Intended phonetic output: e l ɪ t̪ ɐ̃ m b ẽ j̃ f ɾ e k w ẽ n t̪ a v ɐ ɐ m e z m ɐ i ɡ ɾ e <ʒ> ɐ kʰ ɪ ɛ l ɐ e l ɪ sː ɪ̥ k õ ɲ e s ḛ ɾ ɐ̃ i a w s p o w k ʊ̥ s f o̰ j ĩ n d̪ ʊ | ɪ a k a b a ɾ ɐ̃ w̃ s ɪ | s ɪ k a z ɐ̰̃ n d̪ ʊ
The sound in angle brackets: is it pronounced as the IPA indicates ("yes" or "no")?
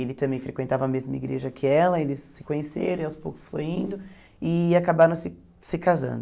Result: yes